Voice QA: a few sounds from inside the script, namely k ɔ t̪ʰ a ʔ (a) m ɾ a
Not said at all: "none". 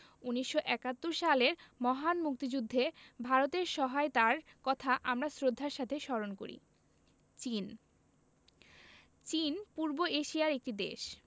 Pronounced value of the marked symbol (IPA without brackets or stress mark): a